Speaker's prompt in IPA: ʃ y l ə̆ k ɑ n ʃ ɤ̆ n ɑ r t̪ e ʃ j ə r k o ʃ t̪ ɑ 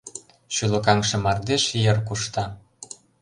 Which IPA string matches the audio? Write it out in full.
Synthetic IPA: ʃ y l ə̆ k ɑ ŋ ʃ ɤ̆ m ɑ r d̪ e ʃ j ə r k u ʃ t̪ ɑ

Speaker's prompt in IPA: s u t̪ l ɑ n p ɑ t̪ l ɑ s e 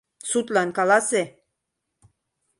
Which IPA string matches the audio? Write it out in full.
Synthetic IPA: s u t̪ l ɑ n k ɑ l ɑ s e

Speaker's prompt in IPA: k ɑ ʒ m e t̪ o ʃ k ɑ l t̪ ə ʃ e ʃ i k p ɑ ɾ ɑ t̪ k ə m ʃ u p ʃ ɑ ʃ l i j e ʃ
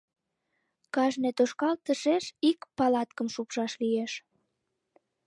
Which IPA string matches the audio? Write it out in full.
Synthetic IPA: k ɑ ʒ n e t̪ o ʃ k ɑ l t̪ ə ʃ e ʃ i k p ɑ l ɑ t̪ k ə m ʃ u p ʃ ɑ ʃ l i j e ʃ

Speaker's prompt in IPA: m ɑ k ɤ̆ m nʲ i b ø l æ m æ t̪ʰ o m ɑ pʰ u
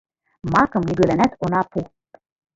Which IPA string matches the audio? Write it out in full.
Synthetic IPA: m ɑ k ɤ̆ m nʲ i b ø l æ n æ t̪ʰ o n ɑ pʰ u

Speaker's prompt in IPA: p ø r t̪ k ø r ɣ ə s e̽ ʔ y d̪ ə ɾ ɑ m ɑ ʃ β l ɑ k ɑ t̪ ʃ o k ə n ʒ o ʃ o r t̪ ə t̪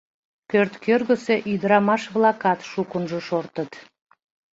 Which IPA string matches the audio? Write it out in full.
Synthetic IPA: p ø r t̪ k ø r ɣ ə s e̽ ʔ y d̪ ə ɾ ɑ m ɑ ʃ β l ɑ k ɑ t̪ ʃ u k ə n ʒ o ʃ o r t̪ ə t̪

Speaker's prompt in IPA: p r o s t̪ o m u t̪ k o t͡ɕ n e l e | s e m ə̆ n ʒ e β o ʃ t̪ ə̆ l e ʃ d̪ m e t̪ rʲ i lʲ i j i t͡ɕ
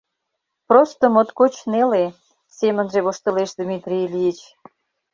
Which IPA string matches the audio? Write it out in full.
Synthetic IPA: p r o s t̪ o m o t̪ k o t͡ɕ n e l e | s e m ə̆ n ʒ e β o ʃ t̪ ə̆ l e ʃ d̪ m i t̪ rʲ i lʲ i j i t͡ɕ

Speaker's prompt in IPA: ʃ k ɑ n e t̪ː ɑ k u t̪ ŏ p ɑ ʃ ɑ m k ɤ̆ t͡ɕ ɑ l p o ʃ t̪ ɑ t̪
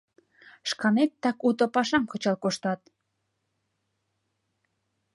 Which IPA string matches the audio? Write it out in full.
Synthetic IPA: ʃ k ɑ n e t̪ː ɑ k u t̪ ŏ p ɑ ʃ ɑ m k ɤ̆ t͡ɕ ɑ l k o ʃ t̪ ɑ t̪

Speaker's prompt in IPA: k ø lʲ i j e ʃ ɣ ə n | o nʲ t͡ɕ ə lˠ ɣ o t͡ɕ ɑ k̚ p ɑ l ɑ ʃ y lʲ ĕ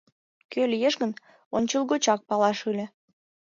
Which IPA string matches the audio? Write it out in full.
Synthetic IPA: k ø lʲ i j e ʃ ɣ ə n | o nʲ t͡ɕ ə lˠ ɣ o t͡ɕ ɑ k̚ p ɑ l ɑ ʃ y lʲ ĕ

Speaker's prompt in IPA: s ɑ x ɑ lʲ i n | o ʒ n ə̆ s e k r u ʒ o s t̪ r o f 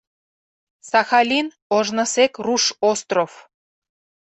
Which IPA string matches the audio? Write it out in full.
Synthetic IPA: s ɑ x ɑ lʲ i n | o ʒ n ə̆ s e k r u ʃ o s t̪ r o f

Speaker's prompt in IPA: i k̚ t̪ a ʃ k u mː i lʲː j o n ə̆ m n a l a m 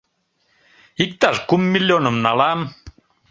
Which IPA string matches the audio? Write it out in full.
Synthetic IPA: i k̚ t̪ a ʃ k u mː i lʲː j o n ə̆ m n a l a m

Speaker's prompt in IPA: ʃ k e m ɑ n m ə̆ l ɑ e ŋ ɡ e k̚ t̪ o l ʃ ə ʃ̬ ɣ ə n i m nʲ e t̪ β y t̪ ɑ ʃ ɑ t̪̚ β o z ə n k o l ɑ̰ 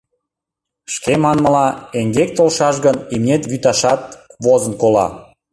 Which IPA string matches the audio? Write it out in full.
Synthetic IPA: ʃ k e m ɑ n m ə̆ l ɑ e ŋ ɡ e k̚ t̪ o l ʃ ɑ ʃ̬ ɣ ə n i m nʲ e t̪ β y t̪ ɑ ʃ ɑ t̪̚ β o z ə n k o l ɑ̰

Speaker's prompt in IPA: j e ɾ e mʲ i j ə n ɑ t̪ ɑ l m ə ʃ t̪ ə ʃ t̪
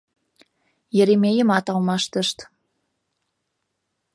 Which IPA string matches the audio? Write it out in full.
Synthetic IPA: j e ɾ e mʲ e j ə m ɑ t̪ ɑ l m ɑ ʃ t̪ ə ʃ t̪

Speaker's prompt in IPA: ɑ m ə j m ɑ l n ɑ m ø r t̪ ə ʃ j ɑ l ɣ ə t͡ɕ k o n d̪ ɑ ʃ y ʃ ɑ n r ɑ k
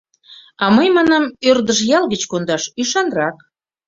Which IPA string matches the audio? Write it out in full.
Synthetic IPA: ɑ m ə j m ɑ n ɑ m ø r d̪ ə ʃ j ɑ l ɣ ə t͡ɕ k o n d̪ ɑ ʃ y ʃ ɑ n r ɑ k

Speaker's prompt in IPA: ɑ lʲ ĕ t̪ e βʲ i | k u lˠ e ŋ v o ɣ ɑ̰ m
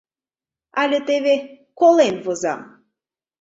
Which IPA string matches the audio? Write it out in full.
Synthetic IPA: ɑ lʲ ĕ t̪ e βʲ e | k o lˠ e n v o z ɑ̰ m

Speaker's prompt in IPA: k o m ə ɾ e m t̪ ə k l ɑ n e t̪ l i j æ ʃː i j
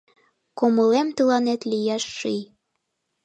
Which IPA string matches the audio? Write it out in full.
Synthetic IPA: k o m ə l e m t̪ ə l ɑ n e t̪ l i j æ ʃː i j

